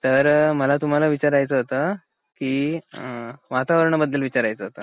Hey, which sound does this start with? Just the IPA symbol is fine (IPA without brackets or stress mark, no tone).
t̪